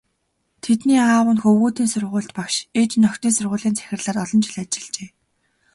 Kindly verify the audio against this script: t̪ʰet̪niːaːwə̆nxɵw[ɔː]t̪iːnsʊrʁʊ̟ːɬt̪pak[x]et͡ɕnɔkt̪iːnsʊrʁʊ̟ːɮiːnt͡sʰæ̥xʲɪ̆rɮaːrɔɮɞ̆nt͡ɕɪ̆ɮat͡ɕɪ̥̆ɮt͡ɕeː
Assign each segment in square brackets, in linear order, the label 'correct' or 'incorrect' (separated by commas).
incorrect, incorrect